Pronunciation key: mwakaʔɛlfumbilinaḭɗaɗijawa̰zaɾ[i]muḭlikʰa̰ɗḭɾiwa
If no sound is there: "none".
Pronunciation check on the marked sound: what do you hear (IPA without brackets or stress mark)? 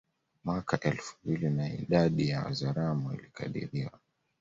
a